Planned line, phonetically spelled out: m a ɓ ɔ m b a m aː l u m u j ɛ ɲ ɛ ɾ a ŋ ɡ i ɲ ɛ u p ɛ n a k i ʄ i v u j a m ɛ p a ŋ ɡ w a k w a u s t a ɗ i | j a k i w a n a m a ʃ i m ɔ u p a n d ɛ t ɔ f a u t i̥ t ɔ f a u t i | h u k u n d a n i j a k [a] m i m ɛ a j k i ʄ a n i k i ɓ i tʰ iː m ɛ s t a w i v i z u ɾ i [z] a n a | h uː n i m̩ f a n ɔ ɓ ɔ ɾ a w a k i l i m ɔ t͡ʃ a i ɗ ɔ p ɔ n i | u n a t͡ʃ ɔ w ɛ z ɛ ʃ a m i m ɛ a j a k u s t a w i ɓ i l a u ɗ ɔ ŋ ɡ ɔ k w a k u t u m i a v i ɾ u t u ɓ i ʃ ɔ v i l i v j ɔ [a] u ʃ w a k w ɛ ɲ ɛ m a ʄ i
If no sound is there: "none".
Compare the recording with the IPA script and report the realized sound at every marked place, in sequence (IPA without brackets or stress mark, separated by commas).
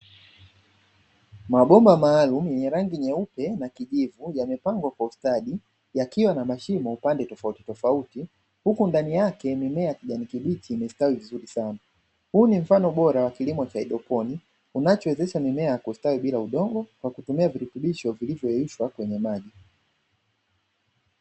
ɛ, s, ɛ